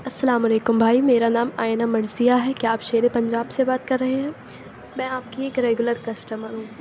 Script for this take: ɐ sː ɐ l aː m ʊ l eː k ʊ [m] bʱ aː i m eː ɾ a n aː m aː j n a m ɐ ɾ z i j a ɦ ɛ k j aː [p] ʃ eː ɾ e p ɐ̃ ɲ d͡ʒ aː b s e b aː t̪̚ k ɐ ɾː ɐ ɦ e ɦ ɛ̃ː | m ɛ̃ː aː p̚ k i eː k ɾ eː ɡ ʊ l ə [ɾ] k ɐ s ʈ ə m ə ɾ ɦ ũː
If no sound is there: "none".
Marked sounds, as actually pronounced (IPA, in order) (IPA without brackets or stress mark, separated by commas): m, p, ɾ